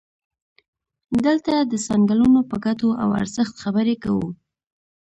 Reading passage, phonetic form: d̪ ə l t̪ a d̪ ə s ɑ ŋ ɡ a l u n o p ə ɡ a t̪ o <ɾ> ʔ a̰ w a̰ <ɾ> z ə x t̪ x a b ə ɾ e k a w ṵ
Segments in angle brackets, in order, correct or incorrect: incorrect, correct

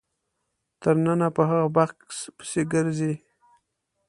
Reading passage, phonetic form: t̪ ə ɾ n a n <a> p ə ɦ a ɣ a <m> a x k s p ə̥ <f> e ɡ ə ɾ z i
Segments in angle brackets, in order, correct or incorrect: correct, incorrect, incorrect

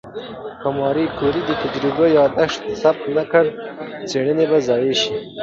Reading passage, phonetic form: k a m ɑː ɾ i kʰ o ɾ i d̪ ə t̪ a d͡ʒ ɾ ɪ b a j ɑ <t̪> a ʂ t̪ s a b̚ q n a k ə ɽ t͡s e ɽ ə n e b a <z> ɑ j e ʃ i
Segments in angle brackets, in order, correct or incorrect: incorrect, correct

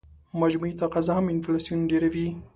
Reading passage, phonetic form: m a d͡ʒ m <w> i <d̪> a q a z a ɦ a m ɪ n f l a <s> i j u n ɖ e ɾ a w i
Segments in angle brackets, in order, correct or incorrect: incorrect, incorrect, correct

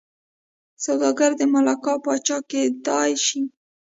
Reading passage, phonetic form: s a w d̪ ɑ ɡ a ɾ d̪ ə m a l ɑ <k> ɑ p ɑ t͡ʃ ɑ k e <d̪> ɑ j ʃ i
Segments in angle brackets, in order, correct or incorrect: correct, correct

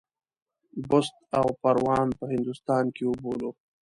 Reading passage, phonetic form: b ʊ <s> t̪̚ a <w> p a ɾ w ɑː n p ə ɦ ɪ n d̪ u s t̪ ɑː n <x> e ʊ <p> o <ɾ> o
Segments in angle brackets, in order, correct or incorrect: correct, correct, incorrect, incorrect, incorrect

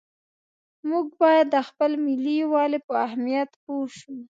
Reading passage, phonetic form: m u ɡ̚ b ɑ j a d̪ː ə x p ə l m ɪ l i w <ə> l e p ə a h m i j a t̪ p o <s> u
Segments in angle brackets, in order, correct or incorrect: incorrect, incorrect

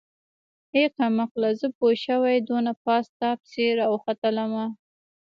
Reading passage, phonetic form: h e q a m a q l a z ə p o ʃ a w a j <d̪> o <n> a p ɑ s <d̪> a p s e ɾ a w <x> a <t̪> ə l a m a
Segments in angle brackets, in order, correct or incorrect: correct, correct, incorrect, correct, correct

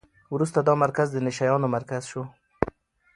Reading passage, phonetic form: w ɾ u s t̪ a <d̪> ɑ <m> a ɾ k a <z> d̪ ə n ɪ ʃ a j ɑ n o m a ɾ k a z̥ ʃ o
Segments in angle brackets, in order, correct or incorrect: correct, correct, correct

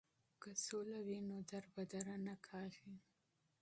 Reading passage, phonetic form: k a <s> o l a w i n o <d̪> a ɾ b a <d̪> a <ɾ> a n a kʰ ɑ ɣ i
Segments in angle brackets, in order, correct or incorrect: correct, correct, correct, correct

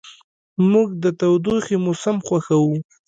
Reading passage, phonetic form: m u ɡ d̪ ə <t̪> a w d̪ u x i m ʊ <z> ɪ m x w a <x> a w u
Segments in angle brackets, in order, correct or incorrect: correct, incorrect, correct

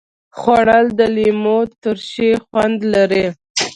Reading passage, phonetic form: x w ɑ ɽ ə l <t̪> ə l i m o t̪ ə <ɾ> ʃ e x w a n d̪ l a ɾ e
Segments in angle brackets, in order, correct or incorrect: incorrect, correct

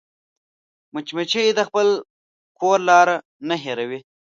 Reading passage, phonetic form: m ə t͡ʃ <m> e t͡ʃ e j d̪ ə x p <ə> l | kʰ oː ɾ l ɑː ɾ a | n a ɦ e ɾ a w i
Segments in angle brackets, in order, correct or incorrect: correct, correct

